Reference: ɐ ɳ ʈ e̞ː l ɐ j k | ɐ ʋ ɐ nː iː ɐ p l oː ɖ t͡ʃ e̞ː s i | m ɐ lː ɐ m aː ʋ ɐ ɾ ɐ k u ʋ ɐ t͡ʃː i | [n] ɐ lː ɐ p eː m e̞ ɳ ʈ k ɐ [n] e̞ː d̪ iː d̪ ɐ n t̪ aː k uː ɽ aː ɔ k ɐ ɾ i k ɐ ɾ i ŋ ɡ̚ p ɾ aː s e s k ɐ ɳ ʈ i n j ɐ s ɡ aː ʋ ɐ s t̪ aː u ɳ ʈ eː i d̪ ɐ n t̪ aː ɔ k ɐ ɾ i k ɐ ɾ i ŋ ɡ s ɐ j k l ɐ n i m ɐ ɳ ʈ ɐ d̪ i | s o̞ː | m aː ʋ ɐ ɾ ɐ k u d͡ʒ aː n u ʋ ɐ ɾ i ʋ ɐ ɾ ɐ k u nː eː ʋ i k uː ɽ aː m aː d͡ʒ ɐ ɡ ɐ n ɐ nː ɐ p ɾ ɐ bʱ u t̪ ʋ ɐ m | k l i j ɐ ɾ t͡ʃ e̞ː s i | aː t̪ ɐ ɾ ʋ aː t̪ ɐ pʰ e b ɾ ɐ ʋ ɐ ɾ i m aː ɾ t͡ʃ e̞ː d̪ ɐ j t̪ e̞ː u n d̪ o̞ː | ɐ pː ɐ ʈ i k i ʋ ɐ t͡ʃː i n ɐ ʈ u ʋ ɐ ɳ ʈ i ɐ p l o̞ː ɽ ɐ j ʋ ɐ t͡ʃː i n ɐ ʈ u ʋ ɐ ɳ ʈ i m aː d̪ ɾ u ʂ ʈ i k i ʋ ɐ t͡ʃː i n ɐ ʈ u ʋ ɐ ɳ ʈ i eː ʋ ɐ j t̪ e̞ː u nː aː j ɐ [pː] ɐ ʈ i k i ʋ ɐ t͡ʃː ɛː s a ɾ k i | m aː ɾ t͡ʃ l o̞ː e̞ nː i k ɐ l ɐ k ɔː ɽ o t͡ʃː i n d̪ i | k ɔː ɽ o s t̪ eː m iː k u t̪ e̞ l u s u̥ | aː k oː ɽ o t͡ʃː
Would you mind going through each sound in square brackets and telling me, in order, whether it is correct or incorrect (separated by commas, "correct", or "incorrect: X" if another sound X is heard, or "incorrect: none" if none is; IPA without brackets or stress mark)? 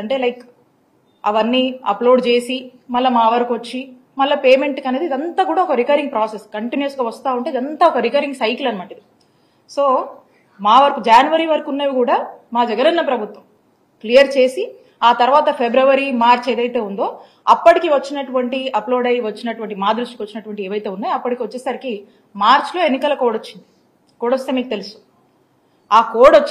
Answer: incorrect: m, correct, correct